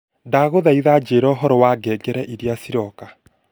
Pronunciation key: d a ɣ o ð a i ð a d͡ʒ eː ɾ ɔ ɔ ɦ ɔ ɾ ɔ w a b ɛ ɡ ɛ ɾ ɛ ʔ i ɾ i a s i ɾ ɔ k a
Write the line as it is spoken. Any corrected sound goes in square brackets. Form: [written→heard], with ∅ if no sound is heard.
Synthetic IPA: d a ɣ o ð a i ð a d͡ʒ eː ɾ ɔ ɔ ɦ ɔ ɾ ɔ w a [b→ɡ] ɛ ɡ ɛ ɾ ɛ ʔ i ɾ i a s i ɾ ɔ k a